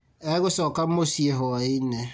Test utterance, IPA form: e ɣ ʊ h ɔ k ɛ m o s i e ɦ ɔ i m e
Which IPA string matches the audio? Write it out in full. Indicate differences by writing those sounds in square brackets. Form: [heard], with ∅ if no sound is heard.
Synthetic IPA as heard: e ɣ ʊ [s] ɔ k [a] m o s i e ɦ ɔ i [n] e